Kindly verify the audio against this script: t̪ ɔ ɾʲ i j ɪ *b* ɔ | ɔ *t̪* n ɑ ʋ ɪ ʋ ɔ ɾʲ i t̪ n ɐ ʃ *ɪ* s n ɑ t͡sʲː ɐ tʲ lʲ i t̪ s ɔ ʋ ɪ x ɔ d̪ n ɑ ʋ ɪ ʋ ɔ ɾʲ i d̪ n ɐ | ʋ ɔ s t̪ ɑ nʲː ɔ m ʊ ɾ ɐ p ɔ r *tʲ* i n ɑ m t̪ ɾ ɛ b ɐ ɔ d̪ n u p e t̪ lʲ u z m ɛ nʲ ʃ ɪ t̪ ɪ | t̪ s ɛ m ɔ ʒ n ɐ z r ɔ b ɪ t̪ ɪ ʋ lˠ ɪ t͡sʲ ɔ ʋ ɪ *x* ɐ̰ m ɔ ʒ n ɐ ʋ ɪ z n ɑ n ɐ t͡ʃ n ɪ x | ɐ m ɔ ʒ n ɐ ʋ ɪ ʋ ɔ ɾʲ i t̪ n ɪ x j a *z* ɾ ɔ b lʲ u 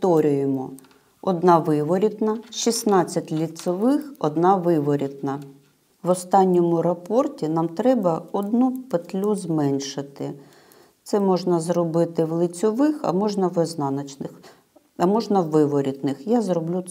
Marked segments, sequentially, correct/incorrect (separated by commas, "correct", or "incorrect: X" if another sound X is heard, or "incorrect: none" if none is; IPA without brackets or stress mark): incorrect: m, incorrect: d̪, incorrect: i, correct, correct, correct